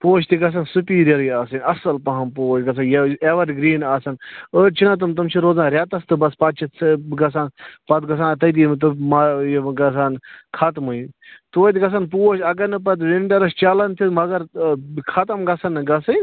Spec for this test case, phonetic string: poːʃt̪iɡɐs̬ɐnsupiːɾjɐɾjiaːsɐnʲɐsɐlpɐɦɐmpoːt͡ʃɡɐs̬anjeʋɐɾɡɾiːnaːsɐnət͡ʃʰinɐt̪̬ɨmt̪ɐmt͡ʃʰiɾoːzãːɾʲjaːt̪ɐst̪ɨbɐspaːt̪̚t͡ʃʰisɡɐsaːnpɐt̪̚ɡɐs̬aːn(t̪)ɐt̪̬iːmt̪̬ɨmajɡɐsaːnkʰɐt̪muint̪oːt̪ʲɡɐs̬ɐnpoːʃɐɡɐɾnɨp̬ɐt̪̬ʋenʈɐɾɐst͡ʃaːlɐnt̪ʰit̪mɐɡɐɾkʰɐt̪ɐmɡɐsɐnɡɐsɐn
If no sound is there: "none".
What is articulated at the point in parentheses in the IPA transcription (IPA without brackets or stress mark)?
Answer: t̪